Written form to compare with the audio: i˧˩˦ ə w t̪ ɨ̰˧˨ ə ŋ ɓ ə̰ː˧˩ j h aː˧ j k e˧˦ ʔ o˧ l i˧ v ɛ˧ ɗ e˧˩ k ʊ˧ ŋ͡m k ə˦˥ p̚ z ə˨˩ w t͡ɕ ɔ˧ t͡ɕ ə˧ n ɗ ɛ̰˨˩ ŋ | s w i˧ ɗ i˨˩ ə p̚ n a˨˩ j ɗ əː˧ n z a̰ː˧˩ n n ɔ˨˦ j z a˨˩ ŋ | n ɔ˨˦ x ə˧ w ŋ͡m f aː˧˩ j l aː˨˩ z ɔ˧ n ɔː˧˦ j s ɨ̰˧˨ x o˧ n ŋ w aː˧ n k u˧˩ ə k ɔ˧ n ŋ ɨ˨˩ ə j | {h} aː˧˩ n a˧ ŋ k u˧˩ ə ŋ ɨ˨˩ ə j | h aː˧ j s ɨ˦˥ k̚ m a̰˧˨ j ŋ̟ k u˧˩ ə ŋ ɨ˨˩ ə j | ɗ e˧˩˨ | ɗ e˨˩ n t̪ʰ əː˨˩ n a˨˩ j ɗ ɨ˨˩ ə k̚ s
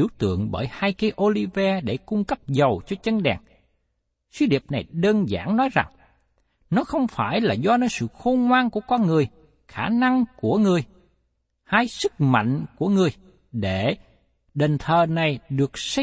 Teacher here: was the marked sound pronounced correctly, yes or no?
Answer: no